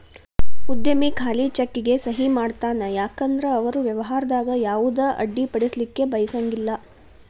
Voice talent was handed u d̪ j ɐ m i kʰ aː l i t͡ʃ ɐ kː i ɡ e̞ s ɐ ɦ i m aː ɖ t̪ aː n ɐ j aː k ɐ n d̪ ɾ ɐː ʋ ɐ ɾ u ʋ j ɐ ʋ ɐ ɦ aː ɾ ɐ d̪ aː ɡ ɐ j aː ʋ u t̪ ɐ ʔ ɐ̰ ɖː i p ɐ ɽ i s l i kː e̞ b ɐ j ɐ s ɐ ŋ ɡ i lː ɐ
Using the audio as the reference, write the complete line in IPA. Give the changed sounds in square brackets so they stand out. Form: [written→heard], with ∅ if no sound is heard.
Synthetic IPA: u d̪ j ɐ m i kʰ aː l i t͡ʃ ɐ kː i ɡ e̞ s ɐ ɦ i m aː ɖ t̪ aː n ɐ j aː k ɐ n d̪ ɾ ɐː ʋ ɐ ɾ u ʋ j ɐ ʋ ɐ ɦ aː ɾ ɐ d̪ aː ɡ ɐ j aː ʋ u [t̪→d̪] ɐ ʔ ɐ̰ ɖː i p ɐ ɽ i s l i kː e̞ b ɐ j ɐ s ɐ ŋ ɡ i lː ɐ